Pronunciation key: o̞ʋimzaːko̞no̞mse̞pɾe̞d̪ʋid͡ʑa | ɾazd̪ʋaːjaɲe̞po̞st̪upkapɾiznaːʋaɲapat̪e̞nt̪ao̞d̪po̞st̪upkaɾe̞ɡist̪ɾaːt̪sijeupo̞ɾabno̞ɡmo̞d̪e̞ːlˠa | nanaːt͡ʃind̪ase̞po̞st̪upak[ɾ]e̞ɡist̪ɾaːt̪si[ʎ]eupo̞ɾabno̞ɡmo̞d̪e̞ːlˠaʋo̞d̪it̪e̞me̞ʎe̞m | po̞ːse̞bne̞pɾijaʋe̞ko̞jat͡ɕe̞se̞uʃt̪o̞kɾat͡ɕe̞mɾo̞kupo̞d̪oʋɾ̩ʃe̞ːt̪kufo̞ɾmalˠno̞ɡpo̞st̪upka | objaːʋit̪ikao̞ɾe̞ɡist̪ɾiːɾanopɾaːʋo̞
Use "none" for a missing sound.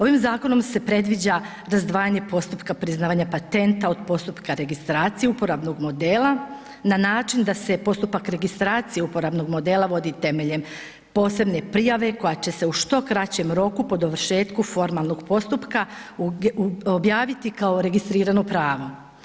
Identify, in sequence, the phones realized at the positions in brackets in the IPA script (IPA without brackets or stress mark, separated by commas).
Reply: ɾ, j